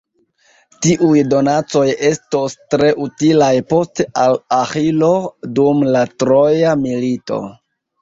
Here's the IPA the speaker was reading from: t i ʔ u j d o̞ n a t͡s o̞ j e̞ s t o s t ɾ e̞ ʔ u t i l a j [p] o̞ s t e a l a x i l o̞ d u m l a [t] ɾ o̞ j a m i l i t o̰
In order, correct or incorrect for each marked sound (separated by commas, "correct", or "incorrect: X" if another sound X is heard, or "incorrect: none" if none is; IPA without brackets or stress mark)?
correct, correct